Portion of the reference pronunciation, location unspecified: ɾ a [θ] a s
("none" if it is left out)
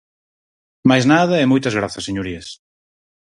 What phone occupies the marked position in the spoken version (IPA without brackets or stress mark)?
θ